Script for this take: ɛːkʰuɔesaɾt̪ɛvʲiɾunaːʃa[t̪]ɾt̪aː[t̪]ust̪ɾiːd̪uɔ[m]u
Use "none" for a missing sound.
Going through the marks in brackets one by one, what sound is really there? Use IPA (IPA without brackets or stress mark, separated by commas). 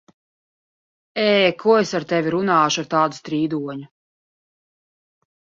none, d̪, ɲ